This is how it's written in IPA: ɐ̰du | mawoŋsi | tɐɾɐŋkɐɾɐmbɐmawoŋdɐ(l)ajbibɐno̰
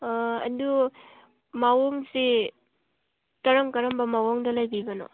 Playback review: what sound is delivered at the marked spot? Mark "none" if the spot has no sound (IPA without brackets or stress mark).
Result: l